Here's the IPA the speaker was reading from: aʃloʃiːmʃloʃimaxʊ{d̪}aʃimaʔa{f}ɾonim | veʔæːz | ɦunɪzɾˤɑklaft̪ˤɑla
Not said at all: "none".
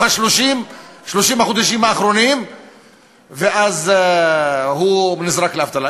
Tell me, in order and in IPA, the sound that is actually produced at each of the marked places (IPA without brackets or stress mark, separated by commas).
d̪, x